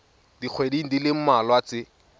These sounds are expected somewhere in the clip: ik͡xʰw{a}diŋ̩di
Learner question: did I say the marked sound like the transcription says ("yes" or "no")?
no